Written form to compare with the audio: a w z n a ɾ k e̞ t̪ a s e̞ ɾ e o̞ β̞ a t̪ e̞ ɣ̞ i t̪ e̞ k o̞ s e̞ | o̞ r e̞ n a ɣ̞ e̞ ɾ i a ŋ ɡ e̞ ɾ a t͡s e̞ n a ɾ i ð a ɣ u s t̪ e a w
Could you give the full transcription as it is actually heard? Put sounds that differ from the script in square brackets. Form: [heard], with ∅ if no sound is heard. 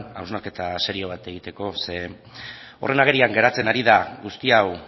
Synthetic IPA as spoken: a w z n a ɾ k e̞ t̪ a s e̞ ɾ [i] o̞ β̞ a t̪ e̞ ɣ̞ i t̪ e̞ k o̞ s e̞ | o̞ r e̞ n a ɣ̞ e̞ ɾ i a ŋ ɡ e̞ ɾ a t͡s e̞ n a ɾ i ð a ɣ u s t̪ [i] a w